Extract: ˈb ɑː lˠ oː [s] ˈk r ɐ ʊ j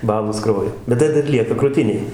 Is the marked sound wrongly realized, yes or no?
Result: no